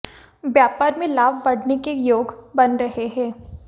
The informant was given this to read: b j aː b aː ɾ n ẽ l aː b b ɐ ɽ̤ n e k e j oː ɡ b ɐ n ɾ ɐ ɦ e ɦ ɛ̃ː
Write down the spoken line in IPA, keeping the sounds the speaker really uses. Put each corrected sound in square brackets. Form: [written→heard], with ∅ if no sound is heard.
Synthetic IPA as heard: b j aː [b→p] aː ɾ [n→m] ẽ l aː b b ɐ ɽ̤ n e k e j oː ɡ b ɐ n ɾ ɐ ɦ e ɦ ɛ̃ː